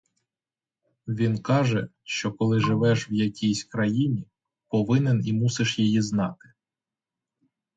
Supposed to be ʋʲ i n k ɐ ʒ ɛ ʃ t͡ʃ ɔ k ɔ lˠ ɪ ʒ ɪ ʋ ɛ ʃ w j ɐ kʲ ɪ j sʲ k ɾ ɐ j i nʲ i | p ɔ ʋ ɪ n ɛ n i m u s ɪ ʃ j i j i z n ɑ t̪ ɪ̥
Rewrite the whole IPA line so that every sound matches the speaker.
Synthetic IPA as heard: ʋʲ i n k ɑ ʒ ɛ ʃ t͡ʃ ɔ k ɔ lˠ ɪ ʒ ɪ ʋ ɛ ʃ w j ɐ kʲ i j sʲ k ɾ ɐ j i nʲ i | p ɔ ʋ ɪ n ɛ n i m u s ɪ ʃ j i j i z n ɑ t̪ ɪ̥